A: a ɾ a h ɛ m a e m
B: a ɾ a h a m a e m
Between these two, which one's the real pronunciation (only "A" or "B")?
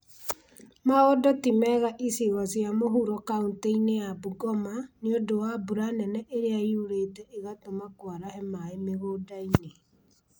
A